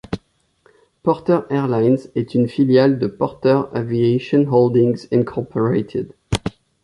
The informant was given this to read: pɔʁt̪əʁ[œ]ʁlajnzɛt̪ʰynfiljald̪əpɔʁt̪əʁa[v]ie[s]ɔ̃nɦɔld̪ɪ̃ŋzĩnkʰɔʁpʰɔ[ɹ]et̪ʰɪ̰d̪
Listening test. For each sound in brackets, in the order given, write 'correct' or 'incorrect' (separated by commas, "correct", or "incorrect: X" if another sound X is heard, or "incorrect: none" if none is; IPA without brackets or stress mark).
incorrect: ɛ, correct, incorrect: ʃ, correct